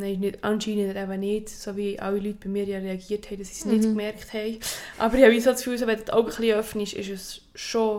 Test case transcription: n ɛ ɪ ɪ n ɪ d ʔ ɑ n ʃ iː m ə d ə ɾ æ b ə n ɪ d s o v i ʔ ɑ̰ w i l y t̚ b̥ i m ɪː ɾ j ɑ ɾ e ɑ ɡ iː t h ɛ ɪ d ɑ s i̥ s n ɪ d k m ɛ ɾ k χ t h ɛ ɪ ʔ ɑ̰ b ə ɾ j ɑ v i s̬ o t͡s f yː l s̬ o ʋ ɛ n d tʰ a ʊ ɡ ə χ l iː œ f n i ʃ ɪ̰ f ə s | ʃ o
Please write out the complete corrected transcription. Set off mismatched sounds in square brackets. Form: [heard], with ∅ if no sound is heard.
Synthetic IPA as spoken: n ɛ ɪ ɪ n ɪ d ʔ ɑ n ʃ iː [n] ə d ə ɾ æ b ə n ɪ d s o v i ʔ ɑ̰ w i l y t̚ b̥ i m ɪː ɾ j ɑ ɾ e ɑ ɡ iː t h ɛ ɪ d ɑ s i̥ s n ɪ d k m ɛ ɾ k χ t h ɛ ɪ ʔ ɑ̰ b ə ɾ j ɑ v i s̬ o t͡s f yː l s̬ o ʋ ɛ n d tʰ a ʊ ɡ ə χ l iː œ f n i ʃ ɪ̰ [ʃ] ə s | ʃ o